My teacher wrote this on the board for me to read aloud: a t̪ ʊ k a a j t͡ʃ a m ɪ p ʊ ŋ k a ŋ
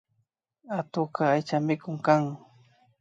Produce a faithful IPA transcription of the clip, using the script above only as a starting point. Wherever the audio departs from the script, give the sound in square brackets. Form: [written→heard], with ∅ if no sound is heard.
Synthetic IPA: a t̪ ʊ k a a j t͡ʃ a m ɪ [p→k] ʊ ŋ k a ŋ